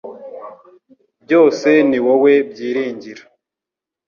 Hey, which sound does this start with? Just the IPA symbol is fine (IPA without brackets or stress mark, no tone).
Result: b